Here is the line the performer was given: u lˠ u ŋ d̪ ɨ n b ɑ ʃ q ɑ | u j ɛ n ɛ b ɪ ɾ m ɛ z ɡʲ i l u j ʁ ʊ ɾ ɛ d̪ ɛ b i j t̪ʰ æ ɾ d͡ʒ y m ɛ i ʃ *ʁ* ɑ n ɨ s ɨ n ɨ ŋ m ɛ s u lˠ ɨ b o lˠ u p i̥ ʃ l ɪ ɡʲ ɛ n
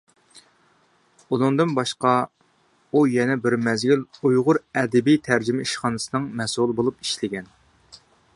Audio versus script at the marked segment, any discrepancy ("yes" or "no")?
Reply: yes